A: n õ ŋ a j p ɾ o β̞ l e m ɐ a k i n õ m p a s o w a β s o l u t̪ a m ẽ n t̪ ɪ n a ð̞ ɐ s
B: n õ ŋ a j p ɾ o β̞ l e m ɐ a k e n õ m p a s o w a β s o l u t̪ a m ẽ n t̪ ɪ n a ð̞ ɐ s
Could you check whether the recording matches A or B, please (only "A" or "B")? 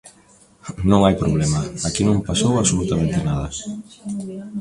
A